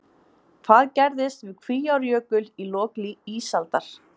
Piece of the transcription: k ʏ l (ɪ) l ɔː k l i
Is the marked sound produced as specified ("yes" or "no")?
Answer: no